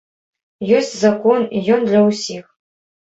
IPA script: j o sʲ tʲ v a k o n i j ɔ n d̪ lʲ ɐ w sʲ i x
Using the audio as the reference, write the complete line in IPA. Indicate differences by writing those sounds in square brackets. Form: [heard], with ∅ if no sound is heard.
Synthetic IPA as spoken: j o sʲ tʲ [z] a k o n i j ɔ n d̪ lʲ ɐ w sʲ i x

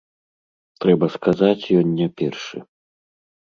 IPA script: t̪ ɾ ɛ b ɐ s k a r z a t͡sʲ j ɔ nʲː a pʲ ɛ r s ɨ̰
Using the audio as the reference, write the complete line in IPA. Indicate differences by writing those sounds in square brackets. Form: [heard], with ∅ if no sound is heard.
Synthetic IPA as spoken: t̪ ɾ ɛ b ɐ s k a [∅] z a t͡sʲ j ɔ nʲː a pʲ ɛ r [ʂ] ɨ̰

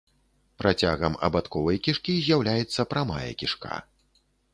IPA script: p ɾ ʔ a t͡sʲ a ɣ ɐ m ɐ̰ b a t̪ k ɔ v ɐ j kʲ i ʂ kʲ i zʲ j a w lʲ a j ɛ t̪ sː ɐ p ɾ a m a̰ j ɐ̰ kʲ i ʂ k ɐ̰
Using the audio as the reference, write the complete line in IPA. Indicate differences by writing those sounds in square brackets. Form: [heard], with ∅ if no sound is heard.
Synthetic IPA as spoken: p ɾ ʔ a t͡sʲ a ɣ ɐ m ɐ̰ b a t̪ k ɔ v ɐ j kʲ i ʂ kʲ i zʲ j a w lʲ a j ɛ t̪ sː ɐ p ɾ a m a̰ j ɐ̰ kʲ i ʂ k [a̰]

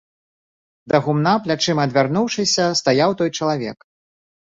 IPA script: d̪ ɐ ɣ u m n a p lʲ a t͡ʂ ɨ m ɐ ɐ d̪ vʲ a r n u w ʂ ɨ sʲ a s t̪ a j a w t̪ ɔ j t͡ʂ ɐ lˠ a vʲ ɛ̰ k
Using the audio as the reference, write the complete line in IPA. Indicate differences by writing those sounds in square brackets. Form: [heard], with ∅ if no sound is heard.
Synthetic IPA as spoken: d̪ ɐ ɣ u m n a p lʲ a t͡ʂ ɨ m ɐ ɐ d̪ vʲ a r n u w ʂ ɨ sʲ [ɐ] s t̪ a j a w t̪ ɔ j t͡ʂ ɐ lˠ a vʲ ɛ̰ k

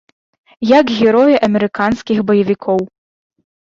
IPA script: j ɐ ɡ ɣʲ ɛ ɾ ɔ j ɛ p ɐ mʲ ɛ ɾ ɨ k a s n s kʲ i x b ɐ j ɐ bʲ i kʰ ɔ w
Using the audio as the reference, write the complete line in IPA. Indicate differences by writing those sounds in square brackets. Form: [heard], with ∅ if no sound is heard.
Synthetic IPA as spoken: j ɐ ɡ ɣʲ ɛ ɾ ɔ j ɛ [ʔ] ɐ mʲ ɛ ɾ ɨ k a [∅] n s kʲ i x b ɐ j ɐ [vʲ] i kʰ ɔ w

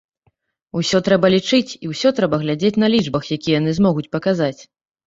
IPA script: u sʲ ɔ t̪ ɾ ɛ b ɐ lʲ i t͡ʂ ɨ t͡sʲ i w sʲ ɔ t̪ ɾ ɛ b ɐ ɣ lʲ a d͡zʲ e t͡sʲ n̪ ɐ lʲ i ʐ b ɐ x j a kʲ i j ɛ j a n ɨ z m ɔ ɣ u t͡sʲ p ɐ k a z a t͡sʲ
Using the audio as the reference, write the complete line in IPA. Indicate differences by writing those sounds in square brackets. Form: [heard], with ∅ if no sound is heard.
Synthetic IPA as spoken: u sʲ ɔ t̪ ɾ ɛ b ɐ lʲ i t͡ʂ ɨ t͡sʲ i w sʲ ɔ t̪ ɾ ɛ b ɐ ɣ lʲ a d͡zʲ e t͡sʲ n̪ ɐ lʲ i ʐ b ɐ x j a kʲ i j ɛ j a n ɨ z m ɔ ɣ u t͡sʲ p ɐ k a z a t͡sʲ

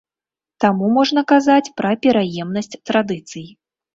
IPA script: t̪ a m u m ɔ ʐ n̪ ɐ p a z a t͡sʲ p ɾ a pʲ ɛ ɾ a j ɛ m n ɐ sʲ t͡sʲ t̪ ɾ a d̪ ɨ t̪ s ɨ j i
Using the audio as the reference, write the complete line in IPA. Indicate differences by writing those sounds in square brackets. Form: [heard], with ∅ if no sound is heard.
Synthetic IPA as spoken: t̪ a m u m ɔ ʐ n̪ ɐ [k] a z a t͡sʲ p ɾ [ɐ] pʲ ɛ ɾ a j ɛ m n ɐ sʲ t͡sʲ t̪ ɾ a d̪ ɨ t̪ s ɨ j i

